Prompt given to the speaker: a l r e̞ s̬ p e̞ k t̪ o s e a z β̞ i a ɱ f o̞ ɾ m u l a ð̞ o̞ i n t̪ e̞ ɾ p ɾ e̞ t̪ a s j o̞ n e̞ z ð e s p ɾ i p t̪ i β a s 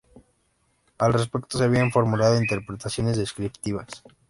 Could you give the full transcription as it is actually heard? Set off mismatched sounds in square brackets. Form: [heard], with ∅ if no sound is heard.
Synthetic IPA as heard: a l r e̞ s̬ p e̞ k t̪ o s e a [∅] β̞ i a ɱ f o̞ ɾ m u l a ð̞ o̞ i n t̪ e̞ ɾ p ɾ e̞ t̪ a s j o̞ n e̞ z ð e s [k] ɾ i p t̪ i β a s